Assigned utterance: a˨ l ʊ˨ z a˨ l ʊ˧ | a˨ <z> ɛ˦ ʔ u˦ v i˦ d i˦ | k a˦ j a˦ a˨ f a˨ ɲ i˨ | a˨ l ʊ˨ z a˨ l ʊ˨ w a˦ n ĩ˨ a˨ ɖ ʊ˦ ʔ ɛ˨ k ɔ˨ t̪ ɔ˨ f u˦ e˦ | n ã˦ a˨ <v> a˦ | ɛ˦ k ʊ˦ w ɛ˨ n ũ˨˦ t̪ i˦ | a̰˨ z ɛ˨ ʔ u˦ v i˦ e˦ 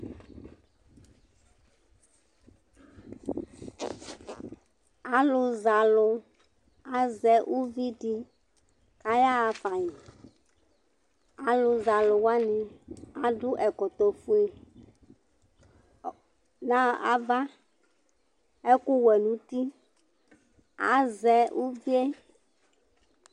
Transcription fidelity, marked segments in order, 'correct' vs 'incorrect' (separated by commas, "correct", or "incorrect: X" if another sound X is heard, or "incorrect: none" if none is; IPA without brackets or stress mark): correct, correct